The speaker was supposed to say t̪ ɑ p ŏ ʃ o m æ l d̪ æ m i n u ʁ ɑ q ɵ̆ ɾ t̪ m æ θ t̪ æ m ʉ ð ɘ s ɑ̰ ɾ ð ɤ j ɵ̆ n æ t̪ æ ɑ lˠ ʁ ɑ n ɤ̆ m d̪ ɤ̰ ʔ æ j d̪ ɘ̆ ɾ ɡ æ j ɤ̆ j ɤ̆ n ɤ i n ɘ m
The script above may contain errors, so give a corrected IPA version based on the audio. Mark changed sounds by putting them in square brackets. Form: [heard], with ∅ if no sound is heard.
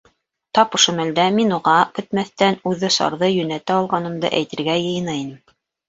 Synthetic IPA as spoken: t̪ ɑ p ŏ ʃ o m æ l d̪ æ m i n u ʁ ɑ [k] ɵ̆ [∅] t̪ m æ θ t̪ æ [n] ʉ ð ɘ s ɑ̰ ɾ ð ɤ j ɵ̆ n æ t̪ æ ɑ lˠ ʁ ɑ n ɤ̆ m d̪ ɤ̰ ʔ æ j [t̪] ɘ̆ ɾ ɡ æ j ɤ̆ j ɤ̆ n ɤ i n ɘ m